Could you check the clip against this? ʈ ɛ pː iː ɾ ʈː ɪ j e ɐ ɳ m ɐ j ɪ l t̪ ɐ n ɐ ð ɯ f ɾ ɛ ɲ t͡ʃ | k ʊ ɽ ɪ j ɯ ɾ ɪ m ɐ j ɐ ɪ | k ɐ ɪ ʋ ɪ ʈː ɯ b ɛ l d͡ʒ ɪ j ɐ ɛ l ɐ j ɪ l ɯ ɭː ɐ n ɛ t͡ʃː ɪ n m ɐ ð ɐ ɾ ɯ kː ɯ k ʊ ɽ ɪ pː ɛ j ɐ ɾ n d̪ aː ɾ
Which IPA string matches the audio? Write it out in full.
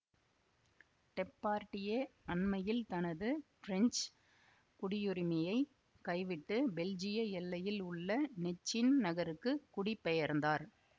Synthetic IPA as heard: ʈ ɛ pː aː ɾ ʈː ɪ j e ɐ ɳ m ɐ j ɪ l t̪ ɐ n ɐ ð ɯ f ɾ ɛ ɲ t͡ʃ | k ʊ ɽ ɪ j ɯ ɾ ɪ m ɐ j ɐ ɪ | k ɐ ɪ ʋ ɪ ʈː ɯ b ɛ l d͡ʒ ɪ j ɐ ɛ lː ɐ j ɪ l ʊ ɭː ɐ n ɛ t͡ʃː ɪ n n ɐ ɣ ɐ ɾ ɯ kː ɯ k ʊ ɽ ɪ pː ɛ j ɐ ɾ n d̪ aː ɾ